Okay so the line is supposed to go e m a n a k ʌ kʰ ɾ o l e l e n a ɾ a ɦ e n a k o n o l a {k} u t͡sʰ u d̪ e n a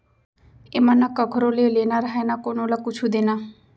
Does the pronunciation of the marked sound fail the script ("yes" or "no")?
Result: no